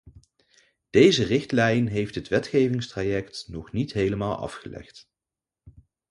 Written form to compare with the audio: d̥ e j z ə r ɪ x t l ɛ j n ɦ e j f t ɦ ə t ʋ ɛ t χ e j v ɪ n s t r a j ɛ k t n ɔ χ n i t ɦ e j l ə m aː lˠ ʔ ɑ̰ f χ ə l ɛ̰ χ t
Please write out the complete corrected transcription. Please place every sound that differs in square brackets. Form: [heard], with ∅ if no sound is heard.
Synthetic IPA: d̥ e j z ə r ɪ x t l ɛ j n ɦ e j f t ɦ ə t ʋ ɛ t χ e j v ɪ [ŋ] s t r a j ɛ k t n ɔ χ n i t ɦ e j l ə m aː lˠ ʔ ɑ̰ f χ ə l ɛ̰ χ t